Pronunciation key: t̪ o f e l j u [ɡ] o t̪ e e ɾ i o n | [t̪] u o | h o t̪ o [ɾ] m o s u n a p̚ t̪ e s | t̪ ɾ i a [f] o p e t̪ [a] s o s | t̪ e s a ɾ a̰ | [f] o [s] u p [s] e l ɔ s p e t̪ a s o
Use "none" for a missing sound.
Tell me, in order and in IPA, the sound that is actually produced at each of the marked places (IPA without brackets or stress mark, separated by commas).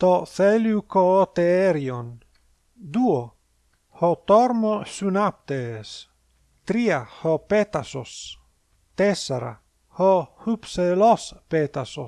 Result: k, d̪, ɾ, h, a, h, h, s